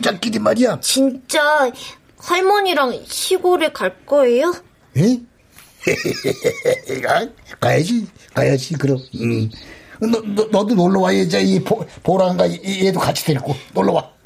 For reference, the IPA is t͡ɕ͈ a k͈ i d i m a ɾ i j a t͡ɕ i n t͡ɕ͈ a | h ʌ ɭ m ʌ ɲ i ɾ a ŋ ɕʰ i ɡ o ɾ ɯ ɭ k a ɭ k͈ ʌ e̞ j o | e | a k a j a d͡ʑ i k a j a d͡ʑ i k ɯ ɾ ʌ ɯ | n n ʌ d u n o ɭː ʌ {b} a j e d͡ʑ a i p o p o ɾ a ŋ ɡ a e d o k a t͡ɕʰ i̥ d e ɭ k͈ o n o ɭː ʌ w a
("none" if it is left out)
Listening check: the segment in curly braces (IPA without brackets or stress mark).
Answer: w